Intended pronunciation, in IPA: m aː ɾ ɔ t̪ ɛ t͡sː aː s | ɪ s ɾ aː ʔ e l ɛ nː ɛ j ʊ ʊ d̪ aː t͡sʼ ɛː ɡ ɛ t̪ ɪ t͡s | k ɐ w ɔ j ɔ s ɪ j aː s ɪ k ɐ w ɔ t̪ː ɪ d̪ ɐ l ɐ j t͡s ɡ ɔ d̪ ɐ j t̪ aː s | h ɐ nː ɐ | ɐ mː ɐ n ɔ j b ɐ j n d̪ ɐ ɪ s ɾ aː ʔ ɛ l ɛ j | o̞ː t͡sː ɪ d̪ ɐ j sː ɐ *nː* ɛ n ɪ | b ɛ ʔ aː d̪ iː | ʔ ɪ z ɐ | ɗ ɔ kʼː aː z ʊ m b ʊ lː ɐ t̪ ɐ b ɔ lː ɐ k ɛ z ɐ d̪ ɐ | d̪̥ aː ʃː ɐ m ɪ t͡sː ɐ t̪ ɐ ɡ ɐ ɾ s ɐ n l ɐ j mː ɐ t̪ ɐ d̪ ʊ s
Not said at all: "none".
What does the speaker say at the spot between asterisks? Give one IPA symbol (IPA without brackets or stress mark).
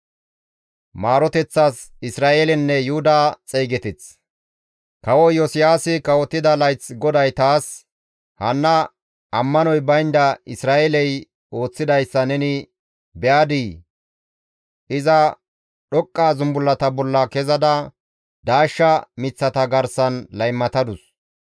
n